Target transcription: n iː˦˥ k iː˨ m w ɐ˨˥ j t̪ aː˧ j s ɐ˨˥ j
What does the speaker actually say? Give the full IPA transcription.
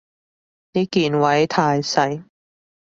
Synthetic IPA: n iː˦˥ k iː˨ n w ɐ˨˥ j t̪ʰ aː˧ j s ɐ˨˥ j

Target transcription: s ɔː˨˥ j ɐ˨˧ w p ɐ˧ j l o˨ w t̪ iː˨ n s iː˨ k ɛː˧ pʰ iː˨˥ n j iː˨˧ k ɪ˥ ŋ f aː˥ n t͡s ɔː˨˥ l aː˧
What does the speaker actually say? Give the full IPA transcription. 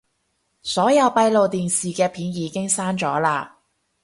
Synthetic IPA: s ɔː˨˥ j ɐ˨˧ w p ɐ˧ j l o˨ w t̪ iː˨ n s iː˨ k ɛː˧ pʰ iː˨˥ n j iː˨˧ k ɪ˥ ŋ s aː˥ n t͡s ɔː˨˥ l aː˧

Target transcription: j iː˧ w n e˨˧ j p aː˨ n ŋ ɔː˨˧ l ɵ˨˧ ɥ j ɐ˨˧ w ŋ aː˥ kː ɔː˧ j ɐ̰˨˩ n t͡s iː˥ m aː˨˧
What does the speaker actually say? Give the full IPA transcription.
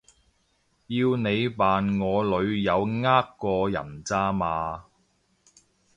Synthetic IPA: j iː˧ w n e˨˧ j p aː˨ n ŋ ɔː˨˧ l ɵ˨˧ ɥ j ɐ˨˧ w ŋ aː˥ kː ɔː˧ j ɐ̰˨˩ n t͡s aː˥ m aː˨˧

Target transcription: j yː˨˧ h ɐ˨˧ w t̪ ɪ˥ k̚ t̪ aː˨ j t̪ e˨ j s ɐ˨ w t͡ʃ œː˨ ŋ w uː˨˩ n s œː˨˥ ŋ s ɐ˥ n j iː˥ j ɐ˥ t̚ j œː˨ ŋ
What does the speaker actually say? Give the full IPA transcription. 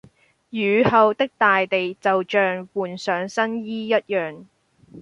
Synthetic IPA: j yː˨˧ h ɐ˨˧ w t̪ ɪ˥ k̚ t̪ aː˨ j t̪ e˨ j t͡s ɐ˨ w t͡ʃ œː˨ ŋ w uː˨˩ n s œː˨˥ ŋ s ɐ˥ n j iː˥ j ɐ˥ t̚ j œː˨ ŋ

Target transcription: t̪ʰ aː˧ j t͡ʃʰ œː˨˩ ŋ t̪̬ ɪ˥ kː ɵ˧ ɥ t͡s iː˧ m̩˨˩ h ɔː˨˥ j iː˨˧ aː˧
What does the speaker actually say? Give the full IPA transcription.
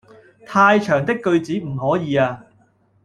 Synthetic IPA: t̪ʰ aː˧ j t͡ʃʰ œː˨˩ ŋ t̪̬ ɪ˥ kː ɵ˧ ɥ t͡s iː˨˥ m̩˨˩ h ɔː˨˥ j iː˨˧ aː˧

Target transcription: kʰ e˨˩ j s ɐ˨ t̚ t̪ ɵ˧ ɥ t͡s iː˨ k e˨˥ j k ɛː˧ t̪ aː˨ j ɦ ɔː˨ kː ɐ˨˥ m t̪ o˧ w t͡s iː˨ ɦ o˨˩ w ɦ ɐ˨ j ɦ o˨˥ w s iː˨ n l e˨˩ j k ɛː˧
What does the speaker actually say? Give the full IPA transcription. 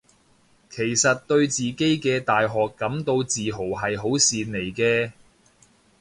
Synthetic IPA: kʰ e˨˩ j s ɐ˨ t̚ t̪ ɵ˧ ɥ t͡s iː˨ k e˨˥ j k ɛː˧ t̪ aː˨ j ɦ ɔː˨ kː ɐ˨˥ m t̪ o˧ w t͡s iː˨ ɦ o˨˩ w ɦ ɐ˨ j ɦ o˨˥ w s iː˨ n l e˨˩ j k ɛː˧

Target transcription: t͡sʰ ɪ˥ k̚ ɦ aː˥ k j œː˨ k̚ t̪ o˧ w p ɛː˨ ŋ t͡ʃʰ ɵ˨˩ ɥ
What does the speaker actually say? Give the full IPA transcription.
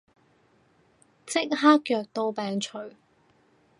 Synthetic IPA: t͡s ɪ˥ k̚ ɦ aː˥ k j œː˨ k̚ t̪ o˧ w p ɛː˨ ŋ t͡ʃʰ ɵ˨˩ ɥ

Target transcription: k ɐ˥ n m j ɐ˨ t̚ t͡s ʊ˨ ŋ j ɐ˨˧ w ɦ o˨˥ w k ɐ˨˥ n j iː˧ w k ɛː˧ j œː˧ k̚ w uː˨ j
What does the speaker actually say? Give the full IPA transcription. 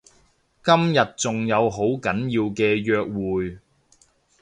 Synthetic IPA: k ɐ˥ m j ɐ˨ t̚ t͡s ʊ˨ ŋ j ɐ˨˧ w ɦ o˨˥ w k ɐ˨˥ n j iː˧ w k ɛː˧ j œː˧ k̚ w uː˨ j

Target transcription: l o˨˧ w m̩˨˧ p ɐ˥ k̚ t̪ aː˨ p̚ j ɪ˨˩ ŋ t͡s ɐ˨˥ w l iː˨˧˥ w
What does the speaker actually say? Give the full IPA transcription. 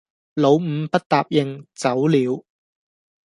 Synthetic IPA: l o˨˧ w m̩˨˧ p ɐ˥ t̚ t̪ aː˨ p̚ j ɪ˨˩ ŋ t͡s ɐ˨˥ w l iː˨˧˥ w

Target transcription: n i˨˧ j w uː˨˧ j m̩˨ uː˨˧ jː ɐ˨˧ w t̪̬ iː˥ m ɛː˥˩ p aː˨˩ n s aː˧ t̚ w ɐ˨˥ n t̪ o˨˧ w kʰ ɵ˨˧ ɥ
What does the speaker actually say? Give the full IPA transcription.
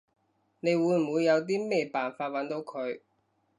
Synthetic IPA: n e˨˧ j w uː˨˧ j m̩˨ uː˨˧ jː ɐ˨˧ w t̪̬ iː˥ m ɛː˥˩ p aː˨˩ n f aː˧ t̚ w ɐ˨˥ n t̪ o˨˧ w kʰ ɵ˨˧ ɥ

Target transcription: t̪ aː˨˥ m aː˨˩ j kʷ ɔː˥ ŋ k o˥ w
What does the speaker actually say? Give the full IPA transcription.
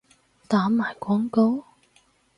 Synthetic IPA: t̪ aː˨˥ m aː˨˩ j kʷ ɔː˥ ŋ k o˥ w

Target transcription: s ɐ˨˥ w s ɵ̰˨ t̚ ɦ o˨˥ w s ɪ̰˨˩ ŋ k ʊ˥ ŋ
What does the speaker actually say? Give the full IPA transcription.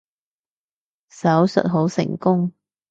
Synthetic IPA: s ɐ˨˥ w s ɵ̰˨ t̚ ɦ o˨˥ w s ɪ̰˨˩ ŋ k ʊ˥ ŋ

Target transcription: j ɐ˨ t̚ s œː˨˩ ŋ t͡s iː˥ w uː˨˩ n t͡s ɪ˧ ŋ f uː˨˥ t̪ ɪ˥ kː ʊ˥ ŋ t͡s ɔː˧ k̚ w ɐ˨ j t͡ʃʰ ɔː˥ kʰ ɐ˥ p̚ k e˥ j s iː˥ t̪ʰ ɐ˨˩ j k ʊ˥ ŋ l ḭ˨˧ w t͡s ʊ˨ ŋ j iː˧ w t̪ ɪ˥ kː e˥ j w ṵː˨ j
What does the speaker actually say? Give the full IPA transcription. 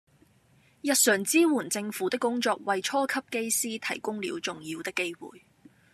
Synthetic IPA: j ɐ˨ t̚ s œː˨˩ ŋ t͡s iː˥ w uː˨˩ n t͡s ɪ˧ ŋ f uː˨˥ t̪ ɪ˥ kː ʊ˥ ŋ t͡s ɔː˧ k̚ w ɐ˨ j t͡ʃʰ ɔː˥ kʰ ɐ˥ p̚ k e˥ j s iː˥ t̪ʰ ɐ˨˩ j k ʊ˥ ŋ l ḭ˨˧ w t͡s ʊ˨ ŋ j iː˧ w t̪ ɪ˥ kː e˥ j w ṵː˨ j

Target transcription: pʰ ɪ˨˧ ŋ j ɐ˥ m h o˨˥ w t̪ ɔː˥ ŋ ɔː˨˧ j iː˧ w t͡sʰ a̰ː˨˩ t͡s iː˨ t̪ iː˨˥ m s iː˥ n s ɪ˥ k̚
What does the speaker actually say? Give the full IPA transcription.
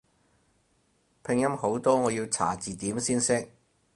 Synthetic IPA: pʰ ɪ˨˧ ŋ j ɐ˥ m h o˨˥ w t̪ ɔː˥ ŋ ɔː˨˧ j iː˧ w t͡sʰ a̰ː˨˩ t͡s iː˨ t̪ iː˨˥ m s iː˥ n s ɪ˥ k̚

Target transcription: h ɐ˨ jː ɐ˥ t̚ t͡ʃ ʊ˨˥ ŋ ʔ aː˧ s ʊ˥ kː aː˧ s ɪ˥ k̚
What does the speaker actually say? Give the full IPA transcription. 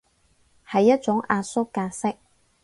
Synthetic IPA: h ɐ˨ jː ɐ˥ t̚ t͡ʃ ʊ˨˥ ŋ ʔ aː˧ s ʊ˥ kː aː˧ s ɪ˥ k̚

